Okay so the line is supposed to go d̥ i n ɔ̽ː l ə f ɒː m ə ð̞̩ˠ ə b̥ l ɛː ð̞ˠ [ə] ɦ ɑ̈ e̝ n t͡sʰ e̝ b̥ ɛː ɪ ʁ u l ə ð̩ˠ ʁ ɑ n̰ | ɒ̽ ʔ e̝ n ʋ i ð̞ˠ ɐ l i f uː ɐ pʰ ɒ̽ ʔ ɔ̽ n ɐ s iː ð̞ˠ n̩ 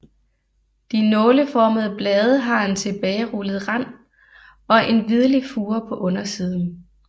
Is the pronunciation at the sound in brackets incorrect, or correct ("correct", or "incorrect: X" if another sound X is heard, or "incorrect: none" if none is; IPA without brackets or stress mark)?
correct